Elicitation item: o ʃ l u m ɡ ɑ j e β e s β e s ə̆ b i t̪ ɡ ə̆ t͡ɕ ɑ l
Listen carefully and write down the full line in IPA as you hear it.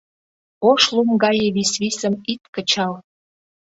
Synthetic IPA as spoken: o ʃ l u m ɡ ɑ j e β i s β i s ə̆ m i t̪ k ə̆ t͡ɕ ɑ l